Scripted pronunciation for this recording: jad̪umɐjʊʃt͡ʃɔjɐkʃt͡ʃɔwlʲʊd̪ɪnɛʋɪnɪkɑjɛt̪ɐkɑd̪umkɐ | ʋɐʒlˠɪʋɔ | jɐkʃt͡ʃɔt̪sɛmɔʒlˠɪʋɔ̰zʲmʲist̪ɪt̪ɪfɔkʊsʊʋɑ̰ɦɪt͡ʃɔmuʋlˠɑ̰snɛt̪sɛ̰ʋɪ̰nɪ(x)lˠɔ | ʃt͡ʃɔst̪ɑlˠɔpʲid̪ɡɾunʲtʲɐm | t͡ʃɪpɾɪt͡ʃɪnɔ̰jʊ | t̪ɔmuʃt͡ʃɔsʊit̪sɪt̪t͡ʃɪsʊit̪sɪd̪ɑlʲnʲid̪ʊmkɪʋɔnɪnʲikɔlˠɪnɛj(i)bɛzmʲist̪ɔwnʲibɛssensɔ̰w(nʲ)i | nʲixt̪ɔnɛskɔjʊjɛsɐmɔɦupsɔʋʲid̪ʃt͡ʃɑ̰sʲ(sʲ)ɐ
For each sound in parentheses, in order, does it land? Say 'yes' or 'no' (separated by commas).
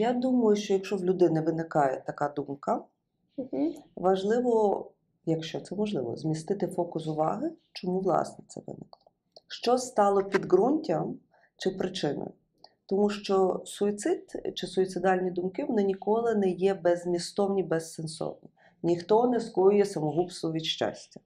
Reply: no, no, yes, no